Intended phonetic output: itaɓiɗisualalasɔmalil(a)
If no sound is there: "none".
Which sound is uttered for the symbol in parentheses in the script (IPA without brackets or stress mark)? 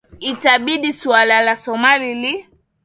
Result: i